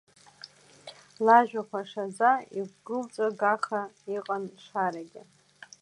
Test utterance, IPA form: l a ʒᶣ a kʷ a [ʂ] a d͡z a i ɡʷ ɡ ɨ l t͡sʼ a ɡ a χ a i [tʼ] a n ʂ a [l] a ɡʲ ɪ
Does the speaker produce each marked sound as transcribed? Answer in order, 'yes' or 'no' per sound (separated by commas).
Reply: yes, no, no